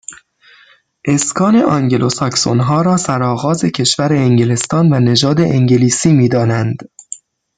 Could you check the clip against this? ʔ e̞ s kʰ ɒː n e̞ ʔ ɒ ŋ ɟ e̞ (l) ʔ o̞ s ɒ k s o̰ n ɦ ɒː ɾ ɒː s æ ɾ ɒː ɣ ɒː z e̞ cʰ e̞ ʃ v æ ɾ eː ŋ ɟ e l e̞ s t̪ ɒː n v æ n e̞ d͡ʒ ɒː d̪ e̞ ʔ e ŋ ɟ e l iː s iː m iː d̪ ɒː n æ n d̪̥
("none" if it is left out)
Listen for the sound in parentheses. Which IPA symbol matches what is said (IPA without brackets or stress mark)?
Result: l